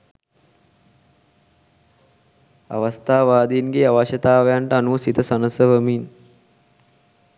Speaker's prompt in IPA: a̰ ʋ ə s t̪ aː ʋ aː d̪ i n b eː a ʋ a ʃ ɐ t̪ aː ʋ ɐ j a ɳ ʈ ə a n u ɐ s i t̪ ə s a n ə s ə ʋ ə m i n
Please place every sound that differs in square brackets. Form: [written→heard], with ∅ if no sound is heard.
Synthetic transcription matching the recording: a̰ ʋ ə s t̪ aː ʋ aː d̪ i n [b→ɡ] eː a ʋ a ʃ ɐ t̪ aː ʋ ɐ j a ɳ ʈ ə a n u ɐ s i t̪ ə s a n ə s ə ʋ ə m i n